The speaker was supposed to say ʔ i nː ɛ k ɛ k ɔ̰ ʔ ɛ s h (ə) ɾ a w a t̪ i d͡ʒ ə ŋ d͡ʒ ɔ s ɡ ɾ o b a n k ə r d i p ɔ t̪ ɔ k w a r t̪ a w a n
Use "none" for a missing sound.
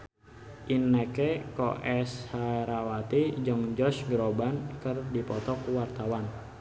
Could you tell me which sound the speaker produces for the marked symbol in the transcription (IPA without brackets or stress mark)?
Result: a